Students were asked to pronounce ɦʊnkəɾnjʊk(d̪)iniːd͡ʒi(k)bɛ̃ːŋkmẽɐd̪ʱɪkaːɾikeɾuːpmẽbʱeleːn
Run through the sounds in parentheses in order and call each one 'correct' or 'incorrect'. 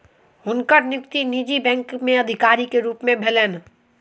incorrect: t̪, incorrect: none

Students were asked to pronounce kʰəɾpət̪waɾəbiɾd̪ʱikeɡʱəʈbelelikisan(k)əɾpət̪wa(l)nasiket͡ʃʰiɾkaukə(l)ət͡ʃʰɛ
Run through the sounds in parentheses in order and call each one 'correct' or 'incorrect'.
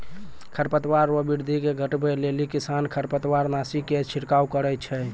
incorrect: kʰ, incorrect: ɾ, incorrect: ɾ

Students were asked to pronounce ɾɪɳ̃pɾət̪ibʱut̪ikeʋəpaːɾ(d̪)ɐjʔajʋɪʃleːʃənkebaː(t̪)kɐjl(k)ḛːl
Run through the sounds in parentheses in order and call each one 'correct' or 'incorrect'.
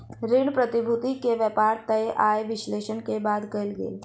incorrect: t̪, incorrect: d̪, incorrect: ɡ

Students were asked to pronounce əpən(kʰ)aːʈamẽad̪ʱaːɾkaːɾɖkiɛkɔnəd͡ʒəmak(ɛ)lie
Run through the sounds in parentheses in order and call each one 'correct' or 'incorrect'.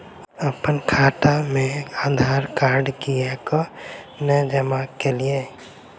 correct, incorrect: e

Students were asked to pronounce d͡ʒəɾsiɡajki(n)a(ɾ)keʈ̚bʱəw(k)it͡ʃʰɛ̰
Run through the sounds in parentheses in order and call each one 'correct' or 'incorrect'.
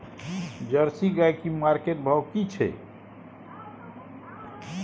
incorrect: m, correct, correct

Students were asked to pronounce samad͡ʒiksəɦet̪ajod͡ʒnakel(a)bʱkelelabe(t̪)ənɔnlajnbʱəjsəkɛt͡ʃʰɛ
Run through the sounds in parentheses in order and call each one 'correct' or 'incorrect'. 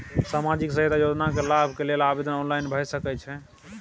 correct, incorrect: d̪

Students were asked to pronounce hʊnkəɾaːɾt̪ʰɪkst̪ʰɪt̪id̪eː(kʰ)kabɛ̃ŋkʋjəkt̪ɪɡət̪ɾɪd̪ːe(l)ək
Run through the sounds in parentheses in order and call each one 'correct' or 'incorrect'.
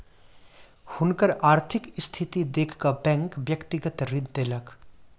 correct, correct

